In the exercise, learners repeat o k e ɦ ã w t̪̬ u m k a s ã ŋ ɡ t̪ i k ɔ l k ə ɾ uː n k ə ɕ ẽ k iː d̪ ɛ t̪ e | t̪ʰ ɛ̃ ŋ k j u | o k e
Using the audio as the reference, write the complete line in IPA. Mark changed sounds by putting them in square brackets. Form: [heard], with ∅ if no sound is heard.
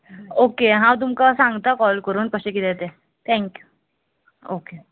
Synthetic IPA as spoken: o k e ɦ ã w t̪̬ u m k a s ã ŋ ɡ t̪ [a] k ɔ l k ə ɾ uː n k ə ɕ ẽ k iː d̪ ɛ t̪ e | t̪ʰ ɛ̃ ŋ k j u | o k e